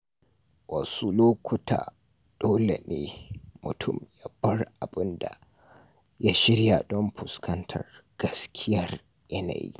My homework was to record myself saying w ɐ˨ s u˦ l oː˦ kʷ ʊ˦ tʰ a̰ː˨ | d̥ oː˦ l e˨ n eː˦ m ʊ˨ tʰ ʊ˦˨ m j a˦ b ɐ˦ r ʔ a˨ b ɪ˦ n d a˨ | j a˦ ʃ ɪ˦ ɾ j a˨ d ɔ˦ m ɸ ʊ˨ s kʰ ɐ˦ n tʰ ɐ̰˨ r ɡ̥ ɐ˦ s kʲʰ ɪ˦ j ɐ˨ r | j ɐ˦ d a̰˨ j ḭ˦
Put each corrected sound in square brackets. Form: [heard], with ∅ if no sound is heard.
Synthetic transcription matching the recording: w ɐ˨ s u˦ l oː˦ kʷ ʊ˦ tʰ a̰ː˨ | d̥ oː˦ l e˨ n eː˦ m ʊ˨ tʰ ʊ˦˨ m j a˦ b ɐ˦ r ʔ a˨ b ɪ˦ n d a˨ | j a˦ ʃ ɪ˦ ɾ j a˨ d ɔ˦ m ɸ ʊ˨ s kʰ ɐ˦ n tʰ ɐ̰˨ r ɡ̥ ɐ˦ s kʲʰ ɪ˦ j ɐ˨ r | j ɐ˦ [n] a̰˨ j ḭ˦

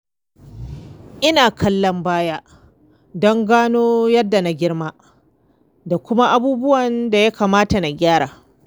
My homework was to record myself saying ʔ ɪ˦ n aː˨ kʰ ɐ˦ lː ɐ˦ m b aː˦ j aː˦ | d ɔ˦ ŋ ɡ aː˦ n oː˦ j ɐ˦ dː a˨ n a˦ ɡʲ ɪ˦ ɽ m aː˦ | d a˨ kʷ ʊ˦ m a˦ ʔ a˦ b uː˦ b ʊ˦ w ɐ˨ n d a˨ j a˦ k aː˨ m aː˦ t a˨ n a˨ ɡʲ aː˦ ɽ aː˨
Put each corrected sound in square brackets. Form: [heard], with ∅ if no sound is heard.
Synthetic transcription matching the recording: ʔ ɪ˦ n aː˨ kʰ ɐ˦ lː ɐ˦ m b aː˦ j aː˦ | d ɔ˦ ŋ ɡ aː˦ n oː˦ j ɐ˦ dː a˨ n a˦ ɡʲ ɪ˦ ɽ m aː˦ | d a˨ kʷ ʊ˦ m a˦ ʔ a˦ b uː˦ b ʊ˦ w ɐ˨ n d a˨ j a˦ k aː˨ m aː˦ t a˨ n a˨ ɡʲ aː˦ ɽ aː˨

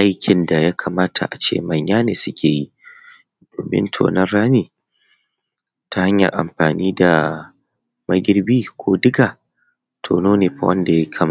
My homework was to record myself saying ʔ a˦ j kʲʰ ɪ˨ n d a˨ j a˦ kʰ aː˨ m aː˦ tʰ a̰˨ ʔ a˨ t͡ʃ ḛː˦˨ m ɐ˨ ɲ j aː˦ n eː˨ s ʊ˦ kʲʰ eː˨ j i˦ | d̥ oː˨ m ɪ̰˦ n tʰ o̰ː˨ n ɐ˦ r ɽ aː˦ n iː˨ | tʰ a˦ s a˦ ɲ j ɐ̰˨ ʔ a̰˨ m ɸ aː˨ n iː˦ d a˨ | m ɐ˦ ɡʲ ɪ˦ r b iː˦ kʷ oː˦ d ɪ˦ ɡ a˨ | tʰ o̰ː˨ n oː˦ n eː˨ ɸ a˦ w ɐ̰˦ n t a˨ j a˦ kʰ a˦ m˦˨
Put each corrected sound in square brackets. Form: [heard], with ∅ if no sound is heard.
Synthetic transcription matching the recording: ʔ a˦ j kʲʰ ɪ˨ n d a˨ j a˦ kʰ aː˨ m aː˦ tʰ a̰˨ ʔ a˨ t͡ʃ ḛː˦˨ m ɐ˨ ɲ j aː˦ n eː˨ s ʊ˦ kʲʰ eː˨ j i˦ | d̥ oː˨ m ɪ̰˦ n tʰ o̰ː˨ n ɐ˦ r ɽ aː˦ n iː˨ | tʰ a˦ [h] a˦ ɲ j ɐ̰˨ ʔ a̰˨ m ɸ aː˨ n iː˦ d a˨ | m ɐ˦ ɡʲ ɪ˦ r b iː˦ kʷ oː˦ d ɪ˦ ɡ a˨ | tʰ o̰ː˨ n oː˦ n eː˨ ɸ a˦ w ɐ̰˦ n [d] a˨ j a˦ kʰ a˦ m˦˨

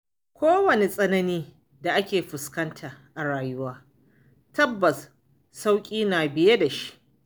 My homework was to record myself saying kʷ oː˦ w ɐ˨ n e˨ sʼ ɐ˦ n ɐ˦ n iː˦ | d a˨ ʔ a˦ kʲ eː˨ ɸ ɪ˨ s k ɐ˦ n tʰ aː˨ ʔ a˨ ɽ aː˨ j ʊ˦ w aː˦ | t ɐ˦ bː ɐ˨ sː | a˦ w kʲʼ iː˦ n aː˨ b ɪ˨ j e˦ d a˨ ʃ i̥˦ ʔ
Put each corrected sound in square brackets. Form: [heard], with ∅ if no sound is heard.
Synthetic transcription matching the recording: kʷ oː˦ w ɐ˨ n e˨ sʼ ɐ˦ n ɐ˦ n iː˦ | d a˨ ʔ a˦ kʲ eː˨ ɸ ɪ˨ s k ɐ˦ n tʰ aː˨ ʔ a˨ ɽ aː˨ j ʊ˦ w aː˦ | t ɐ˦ bː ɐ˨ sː | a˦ w kʲʼ iː˦ n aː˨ b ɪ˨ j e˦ d a˨ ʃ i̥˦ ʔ

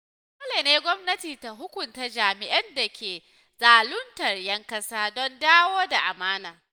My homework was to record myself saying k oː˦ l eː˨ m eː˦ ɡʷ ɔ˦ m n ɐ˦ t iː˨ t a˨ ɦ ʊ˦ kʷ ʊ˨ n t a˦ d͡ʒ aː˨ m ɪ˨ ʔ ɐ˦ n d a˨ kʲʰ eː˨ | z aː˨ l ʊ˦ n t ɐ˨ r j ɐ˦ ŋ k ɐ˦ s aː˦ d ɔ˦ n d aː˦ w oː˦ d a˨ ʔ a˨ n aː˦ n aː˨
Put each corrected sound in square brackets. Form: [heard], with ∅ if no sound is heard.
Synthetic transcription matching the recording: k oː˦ l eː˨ [n] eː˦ ɡʷ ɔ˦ m n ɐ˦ t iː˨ t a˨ ɦ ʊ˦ kʷ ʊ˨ n t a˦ d͡ʒ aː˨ m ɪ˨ ʔ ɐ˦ n d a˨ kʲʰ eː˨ | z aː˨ l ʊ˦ n t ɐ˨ r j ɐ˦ ŋ k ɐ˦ s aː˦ d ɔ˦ n d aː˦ w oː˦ d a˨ ʔ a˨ [m] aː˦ n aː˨

